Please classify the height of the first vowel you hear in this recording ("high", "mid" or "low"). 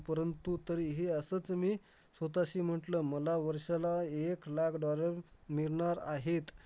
mid